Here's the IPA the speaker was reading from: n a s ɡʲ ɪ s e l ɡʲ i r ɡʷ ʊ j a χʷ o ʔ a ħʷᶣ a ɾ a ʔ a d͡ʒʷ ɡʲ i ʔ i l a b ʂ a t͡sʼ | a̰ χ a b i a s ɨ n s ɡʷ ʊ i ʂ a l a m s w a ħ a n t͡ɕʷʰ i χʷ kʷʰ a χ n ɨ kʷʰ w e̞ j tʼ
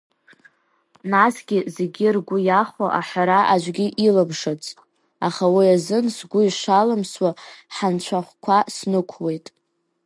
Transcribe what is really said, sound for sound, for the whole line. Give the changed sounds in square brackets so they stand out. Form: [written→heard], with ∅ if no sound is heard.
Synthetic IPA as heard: n a s ɡʲ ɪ [s→z] e [l→∅] ɡʲ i r ɡʷ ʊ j a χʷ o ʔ a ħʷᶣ a ɾ a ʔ a d͡ʒʷ ɡʲ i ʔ i l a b ʂ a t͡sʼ | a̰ χ a [b→w] i a [s→z] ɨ n s ɡʷ ʊ i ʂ a l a m s w a ħ a n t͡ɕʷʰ [i→a] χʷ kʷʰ a [χ→s] n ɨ kʷʰ w e̞ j tʼ